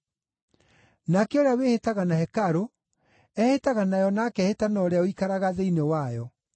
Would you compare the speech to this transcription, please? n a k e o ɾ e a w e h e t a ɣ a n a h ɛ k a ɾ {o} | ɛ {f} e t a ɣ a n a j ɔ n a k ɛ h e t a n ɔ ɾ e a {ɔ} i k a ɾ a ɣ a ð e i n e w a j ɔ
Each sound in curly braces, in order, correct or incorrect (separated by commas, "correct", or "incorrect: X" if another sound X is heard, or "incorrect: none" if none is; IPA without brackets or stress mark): correct, incorrect: h, incorrect: o